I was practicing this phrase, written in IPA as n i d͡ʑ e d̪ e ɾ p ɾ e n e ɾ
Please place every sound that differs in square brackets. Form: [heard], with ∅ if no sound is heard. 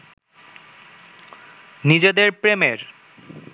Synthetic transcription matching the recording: n i d͡ʑ e d̪ e ɾ p ɾ e [m] e ɾ